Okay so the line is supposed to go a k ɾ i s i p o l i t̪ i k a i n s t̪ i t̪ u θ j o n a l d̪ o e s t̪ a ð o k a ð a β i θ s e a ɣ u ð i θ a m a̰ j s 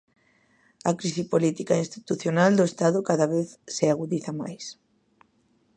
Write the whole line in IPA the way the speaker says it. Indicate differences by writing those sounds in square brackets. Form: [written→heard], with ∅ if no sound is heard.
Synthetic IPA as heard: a k ɾ i s i p o l i t̪ i k a i n s t̪ i t̪ u θ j o n a l d̪ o e s t̪ a ð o k a ð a β [i→e] θ s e a ɣ u ð i θ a m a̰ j s